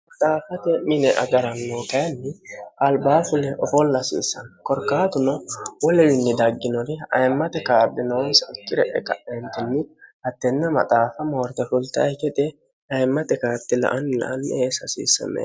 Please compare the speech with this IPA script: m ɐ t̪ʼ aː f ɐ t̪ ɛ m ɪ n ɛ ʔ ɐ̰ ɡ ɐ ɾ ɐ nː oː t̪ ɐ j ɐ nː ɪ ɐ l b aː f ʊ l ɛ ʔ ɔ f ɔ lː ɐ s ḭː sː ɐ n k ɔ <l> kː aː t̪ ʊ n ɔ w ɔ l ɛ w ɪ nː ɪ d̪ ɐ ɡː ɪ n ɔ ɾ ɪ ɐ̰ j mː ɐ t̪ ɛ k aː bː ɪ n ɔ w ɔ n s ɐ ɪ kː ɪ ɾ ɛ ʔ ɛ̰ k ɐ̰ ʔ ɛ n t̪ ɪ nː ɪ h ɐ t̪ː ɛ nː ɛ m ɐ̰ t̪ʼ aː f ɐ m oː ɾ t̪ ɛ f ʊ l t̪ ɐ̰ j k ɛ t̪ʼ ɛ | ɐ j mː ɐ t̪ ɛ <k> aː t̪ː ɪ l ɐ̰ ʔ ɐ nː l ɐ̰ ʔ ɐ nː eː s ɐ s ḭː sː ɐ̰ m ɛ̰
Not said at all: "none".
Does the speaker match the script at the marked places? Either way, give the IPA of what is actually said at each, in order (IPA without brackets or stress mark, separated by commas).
ɾ, k